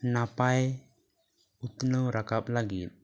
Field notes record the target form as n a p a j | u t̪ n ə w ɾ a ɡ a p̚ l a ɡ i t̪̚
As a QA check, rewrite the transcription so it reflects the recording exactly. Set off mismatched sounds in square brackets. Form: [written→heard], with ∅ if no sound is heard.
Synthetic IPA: n a p a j | u t̪ n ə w ɾ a [ɡ→k] a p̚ l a ɡ i t̪̚